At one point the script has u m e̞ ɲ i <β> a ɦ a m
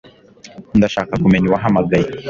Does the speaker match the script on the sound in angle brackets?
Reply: no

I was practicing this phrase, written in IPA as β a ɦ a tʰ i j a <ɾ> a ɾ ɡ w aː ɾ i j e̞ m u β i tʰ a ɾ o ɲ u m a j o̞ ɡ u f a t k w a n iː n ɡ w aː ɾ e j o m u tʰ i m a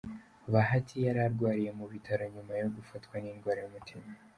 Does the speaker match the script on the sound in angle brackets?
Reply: yes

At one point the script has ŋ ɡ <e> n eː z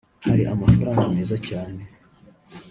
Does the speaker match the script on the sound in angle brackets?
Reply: no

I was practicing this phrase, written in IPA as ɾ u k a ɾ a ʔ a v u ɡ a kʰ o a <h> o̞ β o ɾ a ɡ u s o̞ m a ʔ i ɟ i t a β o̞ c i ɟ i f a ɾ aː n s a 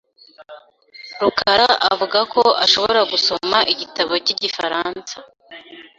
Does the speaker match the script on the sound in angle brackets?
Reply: no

